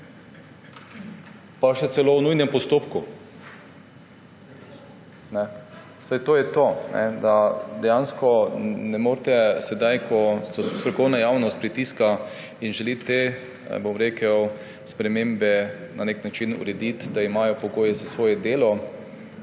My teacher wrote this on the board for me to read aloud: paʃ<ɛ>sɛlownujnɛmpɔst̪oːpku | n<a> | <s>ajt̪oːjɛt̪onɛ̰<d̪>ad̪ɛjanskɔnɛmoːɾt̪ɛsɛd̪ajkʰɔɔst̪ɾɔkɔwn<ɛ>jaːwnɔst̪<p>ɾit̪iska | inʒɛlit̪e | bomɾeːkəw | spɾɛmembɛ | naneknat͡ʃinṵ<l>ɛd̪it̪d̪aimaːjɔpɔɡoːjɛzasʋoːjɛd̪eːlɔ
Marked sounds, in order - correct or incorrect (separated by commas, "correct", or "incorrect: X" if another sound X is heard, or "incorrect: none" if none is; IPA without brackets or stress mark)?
correct, incorrect: ɛ, correct, correct, incorrect: a, correct, incorrect: ɾ